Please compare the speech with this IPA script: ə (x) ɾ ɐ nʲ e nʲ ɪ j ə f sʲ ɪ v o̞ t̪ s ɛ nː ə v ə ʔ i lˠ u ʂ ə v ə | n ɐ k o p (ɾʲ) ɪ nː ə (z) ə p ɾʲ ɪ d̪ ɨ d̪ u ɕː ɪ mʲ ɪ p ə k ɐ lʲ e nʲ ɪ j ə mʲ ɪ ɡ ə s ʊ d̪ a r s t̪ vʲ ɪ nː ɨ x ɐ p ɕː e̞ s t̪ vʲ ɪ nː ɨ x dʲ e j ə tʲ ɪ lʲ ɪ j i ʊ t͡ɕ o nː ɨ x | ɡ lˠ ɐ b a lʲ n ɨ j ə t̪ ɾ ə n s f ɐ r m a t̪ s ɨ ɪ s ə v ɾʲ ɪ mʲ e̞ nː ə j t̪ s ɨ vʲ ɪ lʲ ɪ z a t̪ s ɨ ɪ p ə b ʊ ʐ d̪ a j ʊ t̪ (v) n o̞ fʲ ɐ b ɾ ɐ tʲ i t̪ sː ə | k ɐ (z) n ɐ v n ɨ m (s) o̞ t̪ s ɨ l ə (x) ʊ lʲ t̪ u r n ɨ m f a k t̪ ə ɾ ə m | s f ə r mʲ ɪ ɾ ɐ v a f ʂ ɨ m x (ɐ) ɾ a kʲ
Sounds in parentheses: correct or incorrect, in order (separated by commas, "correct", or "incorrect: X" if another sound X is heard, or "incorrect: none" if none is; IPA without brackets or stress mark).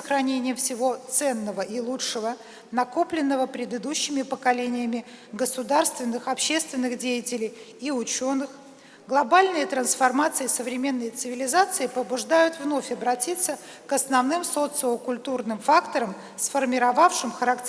correct, incorrect: lʲ, incorrect: v, correct, incorrect: s, correct, incorrect: k, incorrect: ə